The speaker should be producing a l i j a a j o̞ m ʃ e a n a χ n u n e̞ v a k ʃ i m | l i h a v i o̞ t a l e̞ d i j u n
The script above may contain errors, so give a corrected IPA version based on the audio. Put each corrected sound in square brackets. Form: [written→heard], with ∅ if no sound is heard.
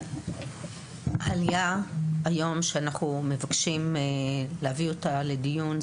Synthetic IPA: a l i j a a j o̞ m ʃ e a n a χ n u [n→m] e̞ v a k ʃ i m | l [i→e] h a v i o̞ t a l e̞ d i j u n